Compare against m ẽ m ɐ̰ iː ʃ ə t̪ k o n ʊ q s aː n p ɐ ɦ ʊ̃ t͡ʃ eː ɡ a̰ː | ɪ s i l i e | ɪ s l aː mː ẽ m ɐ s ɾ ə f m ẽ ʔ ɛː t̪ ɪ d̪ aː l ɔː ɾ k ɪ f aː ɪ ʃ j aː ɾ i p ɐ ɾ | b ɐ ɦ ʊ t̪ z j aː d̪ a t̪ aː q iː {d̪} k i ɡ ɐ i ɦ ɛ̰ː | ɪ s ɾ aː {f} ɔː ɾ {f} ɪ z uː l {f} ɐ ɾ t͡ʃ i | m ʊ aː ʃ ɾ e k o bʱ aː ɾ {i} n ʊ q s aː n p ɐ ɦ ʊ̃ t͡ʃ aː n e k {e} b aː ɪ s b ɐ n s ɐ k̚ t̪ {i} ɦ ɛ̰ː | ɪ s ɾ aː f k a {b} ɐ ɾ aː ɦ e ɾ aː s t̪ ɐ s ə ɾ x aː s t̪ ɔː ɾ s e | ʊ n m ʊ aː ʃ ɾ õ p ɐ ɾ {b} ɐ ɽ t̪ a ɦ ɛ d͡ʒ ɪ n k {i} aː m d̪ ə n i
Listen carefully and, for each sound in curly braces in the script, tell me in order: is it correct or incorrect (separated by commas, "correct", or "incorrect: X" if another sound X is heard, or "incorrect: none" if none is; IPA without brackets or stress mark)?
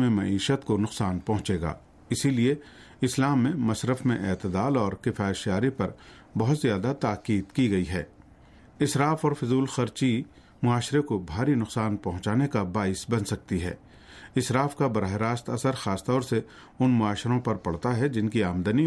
correct, correct, correct, incorrect: x, correct, incorrect: a, correct, correct, incorrect: p, correct